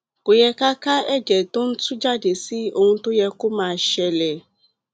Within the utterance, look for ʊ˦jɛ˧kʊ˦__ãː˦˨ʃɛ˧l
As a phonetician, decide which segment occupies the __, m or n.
m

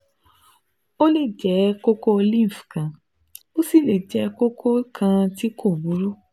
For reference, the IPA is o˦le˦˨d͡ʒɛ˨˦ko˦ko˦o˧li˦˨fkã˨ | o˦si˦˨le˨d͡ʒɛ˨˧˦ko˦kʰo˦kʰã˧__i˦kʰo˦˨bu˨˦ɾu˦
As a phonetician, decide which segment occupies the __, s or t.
t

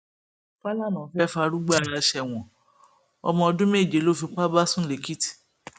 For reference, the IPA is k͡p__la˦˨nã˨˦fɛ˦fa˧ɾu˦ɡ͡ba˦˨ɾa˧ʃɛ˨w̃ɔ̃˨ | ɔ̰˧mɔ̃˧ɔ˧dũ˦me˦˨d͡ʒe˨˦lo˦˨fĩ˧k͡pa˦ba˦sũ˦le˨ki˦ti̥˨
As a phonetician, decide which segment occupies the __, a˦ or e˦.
a˦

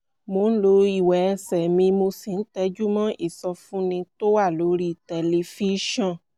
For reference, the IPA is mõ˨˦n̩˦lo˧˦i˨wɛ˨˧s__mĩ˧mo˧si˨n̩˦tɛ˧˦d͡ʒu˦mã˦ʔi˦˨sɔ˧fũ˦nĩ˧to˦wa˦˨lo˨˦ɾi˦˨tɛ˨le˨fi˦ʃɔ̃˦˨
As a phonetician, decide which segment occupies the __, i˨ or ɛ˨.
ɛ˨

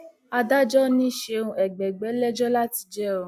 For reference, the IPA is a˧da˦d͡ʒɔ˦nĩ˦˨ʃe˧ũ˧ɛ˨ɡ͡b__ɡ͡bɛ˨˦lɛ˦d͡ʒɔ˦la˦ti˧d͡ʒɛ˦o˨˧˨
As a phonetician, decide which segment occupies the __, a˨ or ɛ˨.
ɛ˨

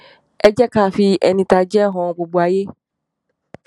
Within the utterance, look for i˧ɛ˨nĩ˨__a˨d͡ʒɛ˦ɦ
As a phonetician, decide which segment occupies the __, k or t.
t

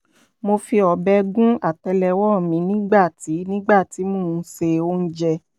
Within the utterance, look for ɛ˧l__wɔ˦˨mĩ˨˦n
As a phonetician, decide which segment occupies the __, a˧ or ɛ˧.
ɛ˧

